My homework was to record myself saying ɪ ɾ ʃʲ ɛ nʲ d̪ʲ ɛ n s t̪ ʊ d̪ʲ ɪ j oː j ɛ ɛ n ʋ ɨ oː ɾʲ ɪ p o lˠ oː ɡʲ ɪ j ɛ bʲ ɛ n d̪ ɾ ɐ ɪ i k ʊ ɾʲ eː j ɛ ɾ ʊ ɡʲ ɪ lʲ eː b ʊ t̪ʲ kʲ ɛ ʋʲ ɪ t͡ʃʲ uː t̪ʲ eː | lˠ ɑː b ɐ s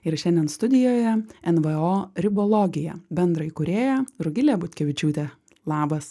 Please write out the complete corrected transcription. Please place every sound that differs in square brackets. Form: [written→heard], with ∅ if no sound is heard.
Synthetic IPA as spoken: ɪ ɾ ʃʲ ɛ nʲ d̪ʲ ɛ n s t̪ ʊ d̪ʲ ɪ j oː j ɛ ɛ n ʋ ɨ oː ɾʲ ɪ [p→b] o lˠ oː ɡʲ ɪ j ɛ bʲ ɛ n d̪ ɾ ɐ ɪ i k ʊ ɾʲ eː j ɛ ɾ ʊ ɡʲ ɪ lʲ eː b ʊ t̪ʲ kʲ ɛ ʋʲ ɪ t͡ʃʲ uː t̪ʲ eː | lˠ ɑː b ɐ s